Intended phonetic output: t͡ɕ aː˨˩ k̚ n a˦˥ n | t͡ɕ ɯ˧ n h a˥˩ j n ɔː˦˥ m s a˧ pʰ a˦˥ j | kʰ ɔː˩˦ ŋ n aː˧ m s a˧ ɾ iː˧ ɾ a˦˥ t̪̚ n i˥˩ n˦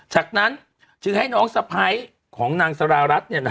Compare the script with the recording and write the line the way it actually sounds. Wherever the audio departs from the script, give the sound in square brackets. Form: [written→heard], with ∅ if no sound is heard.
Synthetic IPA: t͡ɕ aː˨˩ k̚ n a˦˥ n | t͡ɕ ɯ˧ [n→ŋ] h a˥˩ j n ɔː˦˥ [m→ŋ] s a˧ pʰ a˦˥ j | kʰ ɔː˩˦ ŋ n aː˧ [m→ŋ] s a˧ ɾ [iː˧→aː˧] ɾ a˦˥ t̪̚ n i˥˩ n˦